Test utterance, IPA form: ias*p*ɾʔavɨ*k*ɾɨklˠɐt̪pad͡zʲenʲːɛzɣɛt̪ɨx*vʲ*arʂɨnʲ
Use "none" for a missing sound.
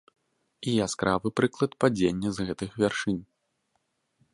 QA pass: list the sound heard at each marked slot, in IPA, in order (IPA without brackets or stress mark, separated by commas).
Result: k, p, vʲ